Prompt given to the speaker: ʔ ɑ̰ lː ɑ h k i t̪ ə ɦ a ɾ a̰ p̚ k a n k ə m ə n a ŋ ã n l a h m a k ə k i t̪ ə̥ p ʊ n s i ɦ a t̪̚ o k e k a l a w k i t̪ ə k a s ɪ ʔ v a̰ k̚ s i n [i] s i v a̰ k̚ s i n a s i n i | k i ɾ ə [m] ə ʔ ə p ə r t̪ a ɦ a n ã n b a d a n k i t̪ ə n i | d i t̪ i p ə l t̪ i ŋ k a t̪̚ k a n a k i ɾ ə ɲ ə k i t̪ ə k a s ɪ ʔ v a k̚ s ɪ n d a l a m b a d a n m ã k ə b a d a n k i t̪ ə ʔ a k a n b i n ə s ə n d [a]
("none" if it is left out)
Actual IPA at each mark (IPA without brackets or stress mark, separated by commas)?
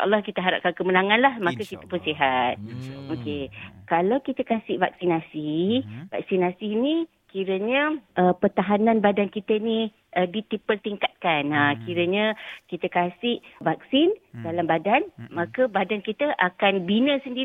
a, ɲ, i